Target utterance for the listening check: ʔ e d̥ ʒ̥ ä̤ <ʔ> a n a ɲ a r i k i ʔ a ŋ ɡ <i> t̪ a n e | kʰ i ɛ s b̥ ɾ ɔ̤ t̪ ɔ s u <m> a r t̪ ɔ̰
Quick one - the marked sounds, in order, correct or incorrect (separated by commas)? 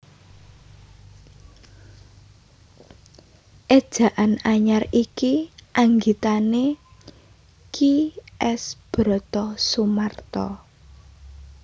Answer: correct, correct, correct